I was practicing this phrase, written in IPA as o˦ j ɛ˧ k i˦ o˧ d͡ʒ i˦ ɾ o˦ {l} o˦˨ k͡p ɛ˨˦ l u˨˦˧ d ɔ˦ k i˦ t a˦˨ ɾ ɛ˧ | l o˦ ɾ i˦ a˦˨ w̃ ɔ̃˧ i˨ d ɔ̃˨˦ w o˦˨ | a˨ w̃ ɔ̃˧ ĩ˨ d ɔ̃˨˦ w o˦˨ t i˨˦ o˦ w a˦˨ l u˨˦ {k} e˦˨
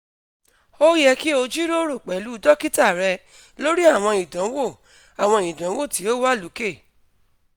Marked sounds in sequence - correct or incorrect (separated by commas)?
incorrect, correct